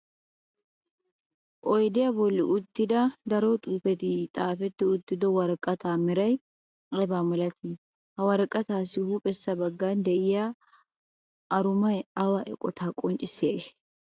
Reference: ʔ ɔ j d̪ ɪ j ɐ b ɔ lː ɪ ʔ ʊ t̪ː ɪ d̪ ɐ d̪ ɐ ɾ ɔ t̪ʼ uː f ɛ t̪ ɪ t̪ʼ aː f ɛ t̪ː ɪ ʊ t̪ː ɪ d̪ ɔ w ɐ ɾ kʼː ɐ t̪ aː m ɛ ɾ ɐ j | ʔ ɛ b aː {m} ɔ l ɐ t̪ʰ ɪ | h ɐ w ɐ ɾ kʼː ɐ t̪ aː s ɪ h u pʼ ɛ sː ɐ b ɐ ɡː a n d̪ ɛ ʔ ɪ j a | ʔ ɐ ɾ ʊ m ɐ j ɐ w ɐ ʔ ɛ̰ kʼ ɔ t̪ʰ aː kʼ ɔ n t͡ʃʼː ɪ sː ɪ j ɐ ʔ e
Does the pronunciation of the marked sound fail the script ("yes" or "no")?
no